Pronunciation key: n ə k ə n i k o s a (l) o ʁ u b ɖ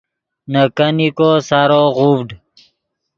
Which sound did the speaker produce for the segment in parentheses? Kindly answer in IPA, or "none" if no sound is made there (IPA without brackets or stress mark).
ɾ